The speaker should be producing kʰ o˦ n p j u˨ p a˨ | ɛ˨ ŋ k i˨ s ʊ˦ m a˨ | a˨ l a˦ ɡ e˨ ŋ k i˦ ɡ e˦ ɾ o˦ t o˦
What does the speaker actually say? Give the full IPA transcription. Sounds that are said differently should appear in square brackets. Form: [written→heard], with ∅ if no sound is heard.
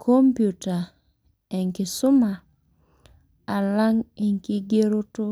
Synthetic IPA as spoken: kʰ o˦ [n→m] p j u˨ [p→t] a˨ | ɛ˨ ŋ k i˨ s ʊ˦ m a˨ | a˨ l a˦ [ɡ→ŋ] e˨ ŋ k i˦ ɡ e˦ ɾ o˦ t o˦